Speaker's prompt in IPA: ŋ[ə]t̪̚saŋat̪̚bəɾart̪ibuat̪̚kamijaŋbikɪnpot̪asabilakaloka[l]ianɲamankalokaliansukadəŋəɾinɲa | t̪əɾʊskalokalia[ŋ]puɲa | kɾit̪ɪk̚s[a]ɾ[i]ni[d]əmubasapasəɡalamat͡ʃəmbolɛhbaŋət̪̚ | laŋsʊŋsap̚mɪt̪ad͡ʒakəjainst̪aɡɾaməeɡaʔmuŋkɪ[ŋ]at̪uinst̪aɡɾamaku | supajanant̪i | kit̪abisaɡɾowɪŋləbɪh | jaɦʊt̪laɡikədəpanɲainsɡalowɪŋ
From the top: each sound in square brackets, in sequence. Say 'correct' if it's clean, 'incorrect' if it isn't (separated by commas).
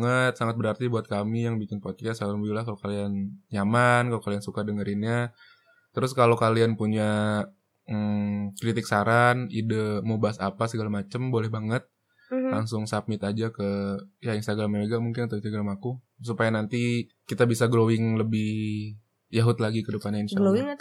correct, correct, incorrect, correct, incorrect, correct, incorrect